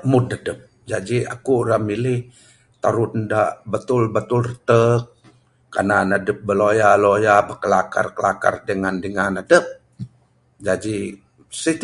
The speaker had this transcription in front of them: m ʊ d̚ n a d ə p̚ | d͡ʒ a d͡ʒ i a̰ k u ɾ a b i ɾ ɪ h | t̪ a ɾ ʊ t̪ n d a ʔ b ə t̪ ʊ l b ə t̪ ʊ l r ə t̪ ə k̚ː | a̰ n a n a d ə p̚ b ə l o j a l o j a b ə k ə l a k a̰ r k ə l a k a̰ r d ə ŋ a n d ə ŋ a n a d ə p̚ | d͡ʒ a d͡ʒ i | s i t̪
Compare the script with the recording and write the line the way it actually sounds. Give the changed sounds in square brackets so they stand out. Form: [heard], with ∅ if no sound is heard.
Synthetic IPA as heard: m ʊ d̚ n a d ə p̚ | d͡ʒ a d͡ʒ i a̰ k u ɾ a [m] i [l] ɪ h | t̪ a ɾ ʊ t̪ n d a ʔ b ə t̪ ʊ l b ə t̪ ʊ l r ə t̪ ə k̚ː | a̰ n a n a d ə p̚ b ə l o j a l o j a b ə k ə l a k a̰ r k ə l a k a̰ r d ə ŋ a n d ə ŋ a n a d ə p̚ | d͡ʒ a d͡ʒ i | s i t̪